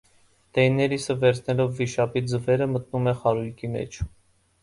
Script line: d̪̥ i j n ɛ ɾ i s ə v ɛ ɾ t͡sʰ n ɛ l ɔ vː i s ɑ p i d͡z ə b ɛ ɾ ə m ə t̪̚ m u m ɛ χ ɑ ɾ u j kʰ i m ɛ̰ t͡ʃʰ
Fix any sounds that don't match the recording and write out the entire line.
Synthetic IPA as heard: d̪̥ ɛ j n ɛ ɾ i s ə v ɛ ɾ t͡sʰ n ɛ l ɔ vː i ʃ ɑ p i d͡z ə v ɛ ɾ ə m ə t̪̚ n u m ɛ χ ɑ ɾ u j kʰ i m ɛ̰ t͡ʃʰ

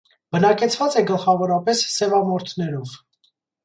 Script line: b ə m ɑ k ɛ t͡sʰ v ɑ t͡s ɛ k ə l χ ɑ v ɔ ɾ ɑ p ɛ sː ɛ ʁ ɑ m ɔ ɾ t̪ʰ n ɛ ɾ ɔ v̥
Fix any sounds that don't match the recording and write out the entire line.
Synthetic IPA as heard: b ə n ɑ k ɛ t͡sʰ v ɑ t͡s ɛ ɡ ə l χ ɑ v ɔ ɾ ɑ p ɛ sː ɛ v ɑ m ɔ ɾ t̪ʰ n ɛ ɾ ɔ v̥

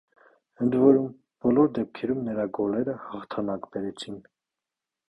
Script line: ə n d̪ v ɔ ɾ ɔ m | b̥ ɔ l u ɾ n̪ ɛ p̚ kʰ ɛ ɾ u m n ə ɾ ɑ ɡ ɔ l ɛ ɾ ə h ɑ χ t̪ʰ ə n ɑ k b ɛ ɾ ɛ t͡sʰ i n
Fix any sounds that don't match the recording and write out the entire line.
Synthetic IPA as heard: ə n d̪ v ɔ ɾ u m | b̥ ɔ l ɔ ɾ d̪ ɛ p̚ kʰ ɛ ɾ u m n ə ɾ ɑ ɡ ɔ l ɛ ɾ ə h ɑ χ t̪ʰ ɑ n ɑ k b ɛ ɾ ɛ t͡sʰ i n

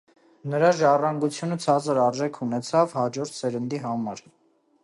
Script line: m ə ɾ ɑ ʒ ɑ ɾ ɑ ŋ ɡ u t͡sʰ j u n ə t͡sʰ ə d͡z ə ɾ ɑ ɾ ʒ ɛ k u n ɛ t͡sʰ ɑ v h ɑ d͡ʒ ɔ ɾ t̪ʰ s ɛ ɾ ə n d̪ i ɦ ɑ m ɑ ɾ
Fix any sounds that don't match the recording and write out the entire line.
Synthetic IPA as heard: n ə ɾ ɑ ʒ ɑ r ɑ ŋ ɡ u t͡sʰ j u n ə t͡sʰ ɑ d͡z ə ɾ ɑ ɾ ʒ ɛ kʰ u n ɛ t͡sʰ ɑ v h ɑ d͡ʒ ɔ ɾ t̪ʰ s ɛ ɾ ə n d̪ i ɦ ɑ m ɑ ɾ

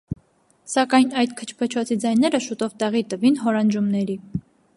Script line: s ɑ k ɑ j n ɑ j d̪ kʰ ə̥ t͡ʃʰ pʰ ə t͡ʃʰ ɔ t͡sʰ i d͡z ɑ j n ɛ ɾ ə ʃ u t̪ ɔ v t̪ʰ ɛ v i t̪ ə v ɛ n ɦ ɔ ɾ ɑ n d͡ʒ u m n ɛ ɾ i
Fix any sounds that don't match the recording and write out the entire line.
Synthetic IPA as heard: s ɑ k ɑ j n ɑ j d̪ kʰ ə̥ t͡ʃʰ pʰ ə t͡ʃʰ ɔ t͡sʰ i d͡z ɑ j n ɛ ɾ ə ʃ u t̪ ɔ v t̪ ɛ ʁ i t̪ ə v i n ɦ ɔ ɾ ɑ n d͡ʒ u m n ɛ ɾ i

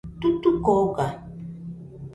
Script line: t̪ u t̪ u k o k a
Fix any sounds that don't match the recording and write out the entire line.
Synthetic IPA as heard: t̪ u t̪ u k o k a

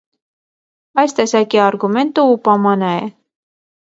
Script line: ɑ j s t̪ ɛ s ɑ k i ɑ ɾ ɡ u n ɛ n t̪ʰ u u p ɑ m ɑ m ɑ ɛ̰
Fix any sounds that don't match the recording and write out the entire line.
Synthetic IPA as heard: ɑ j s t̪ ɛ s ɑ k i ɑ ɾ ɡ u m ɛ n t̪ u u p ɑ m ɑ n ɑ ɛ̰

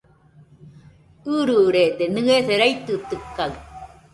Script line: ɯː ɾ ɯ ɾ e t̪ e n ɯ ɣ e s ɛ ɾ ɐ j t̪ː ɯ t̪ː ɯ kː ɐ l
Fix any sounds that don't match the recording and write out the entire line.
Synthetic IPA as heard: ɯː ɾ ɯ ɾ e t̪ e n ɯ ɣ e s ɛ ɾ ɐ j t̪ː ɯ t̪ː ɯ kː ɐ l

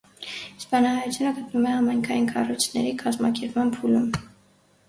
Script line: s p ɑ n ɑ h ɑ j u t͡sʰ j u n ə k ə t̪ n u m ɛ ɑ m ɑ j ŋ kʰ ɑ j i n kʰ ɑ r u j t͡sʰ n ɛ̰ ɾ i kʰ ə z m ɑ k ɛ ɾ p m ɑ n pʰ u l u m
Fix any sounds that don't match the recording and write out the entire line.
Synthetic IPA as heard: s p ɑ n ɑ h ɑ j u t͡sʰ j u n ə ɡ ə t̪ n u m ɛ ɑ m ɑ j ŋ kʰ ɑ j i n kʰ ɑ r u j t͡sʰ n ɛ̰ ɾ i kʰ ɑ z m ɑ k ɛ ɾ p m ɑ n pʰ u l u m

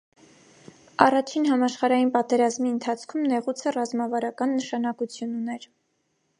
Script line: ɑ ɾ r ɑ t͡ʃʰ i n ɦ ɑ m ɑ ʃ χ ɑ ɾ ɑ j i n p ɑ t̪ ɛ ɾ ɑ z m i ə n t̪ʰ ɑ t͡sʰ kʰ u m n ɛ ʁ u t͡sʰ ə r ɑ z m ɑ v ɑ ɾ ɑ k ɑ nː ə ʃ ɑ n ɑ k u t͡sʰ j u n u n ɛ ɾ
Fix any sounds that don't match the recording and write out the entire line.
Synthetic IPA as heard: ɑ r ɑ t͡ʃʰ i n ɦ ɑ m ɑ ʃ χ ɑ ɾ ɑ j i n p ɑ t̪ ɛ ɾ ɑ z m i ə n t̪ʰ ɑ t͡sʰ kʰ u m n ɛ ʁ u t͡sʰ ə r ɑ z m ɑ v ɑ ɾ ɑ k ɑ nː ə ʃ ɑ n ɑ k u t͡sʰ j u n u n ɛ ɾ

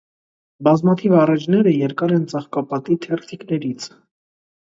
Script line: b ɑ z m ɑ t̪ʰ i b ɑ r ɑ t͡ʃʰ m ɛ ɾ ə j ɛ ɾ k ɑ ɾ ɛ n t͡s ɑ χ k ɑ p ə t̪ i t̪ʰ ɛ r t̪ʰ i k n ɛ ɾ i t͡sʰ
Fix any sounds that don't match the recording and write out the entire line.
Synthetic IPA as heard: b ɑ z m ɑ t̪ʰ i v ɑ r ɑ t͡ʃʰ n ɛ ɾ ə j ɛ ɾ k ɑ ɾ ɛ n t͡s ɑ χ k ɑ p ɑ t̪ i t̪ʰ ɛ r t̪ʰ i k n ɛ ɾ i t͡sʰ

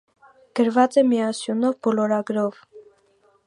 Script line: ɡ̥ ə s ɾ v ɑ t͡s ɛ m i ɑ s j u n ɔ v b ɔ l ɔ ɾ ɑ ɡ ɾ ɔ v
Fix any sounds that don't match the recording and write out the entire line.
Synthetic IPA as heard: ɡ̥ ə ɾ v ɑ t͡s ɛ m i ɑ s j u n ɔ v b ɔ l ɔ ɾ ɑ ɡ ɾ ɔ v

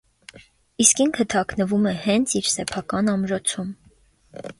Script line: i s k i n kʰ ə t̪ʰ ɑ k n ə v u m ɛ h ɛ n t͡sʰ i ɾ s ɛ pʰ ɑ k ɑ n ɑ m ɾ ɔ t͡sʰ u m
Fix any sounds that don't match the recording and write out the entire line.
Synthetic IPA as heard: i s k i ŋ kʰ ə t̪ʰ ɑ k n ə v u m ɛ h ɛ n t͡sʰ i ɾ s ɛ pʰ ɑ k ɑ n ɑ m ɾ ɔ t͡sʰ u m

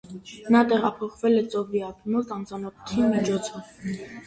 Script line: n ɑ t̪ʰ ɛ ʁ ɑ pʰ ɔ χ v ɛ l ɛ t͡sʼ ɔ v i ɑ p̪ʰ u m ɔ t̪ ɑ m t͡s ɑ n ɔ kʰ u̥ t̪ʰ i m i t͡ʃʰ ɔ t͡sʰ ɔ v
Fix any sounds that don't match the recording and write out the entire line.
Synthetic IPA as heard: n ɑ t̪ ɛ ʁ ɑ pʰ ɔ χ v ɛ l ɛ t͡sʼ ɔ v i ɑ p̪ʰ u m ɔ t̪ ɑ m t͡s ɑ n ɔ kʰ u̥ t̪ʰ i m i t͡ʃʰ ɔ t͡sʰ ɔ v

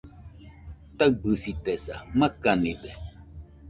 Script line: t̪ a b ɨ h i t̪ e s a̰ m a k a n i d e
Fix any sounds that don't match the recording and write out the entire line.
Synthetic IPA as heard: t̪ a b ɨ s i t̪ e s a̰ m a k a n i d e

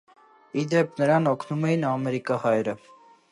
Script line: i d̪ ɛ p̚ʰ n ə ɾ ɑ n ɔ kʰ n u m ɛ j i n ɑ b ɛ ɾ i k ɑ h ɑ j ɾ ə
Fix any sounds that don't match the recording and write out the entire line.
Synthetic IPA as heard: i d̪ ɛ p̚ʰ n ə ɾ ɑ n ɔ kʰ n u m ɛ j i n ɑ m ɛ ɾ i k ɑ h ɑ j ɾ ə

